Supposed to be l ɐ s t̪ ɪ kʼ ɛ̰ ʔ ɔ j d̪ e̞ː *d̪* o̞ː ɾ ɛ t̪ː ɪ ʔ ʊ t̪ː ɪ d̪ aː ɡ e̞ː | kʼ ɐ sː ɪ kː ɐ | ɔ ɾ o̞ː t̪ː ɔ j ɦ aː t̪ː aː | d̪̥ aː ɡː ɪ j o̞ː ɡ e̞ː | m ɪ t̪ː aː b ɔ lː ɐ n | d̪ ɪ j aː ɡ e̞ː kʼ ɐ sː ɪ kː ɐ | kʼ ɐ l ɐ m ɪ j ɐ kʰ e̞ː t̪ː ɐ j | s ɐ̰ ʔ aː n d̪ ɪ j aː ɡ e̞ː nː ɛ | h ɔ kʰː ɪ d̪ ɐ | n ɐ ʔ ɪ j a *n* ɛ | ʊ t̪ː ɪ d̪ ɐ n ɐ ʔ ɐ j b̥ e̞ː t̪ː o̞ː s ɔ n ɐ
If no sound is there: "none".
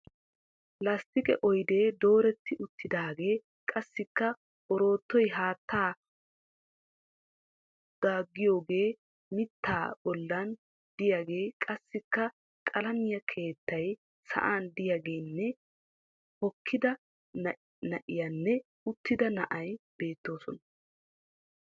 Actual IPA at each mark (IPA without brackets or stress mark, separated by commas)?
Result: d̪, nː